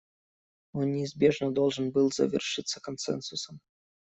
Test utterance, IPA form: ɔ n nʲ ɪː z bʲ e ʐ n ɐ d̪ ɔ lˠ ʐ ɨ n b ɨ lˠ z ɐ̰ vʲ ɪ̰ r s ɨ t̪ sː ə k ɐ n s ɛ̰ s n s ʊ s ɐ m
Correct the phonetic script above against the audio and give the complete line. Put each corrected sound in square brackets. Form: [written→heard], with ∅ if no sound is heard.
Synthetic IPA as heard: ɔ n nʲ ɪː z bʲ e ʐ n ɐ d̪ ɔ lˠ ʐ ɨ n b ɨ lˠ z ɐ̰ vʲ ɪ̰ r [s→ʂ] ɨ t̪ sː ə k ɐ n s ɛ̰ [s→∅] n s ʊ s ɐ m

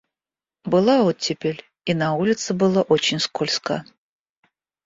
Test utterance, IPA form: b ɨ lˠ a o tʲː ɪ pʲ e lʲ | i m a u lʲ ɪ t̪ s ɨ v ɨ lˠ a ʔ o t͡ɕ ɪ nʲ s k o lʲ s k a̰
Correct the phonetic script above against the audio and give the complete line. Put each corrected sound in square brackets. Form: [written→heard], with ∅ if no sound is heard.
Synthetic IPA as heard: b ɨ lˠ a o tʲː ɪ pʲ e lʲ | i [m→n] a u lʲ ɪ t̪ s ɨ [v→b] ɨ lˠ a ʔ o t͡ɕ ɪ nʲ s k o lʲ s k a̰

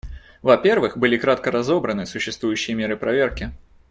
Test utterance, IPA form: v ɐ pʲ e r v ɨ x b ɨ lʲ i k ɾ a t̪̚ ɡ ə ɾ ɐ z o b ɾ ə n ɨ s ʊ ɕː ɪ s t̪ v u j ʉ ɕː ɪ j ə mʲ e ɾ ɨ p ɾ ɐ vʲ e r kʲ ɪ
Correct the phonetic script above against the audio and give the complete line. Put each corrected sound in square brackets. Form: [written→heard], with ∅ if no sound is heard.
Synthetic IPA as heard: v ɐ pʲ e r v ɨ x b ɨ lʲ i k ɾ a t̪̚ [ɡ→k] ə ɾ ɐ z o b ɾ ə n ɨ s ʊ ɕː ɪ s t̪ v u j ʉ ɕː ɪ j ə mʲ e ɾ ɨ p ɾ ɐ vʲ e r kʲ ɪ

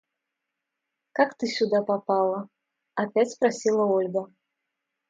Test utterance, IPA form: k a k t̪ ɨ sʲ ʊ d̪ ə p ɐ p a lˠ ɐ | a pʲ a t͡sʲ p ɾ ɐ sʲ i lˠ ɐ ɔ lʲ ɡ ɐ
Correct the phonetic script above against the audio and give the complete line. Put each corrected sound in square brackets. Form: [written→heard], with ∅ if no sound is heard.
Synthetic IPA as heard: k a k t̪ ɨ sʲ [ʊ→u] d̪ [ə→a] p [ɐ→a] p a lˠ ɐ | a pʲ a t͡sʲ p ɾ [ɐ→a] sʲ i lˠ ɐ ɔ lʲ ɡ ɐ

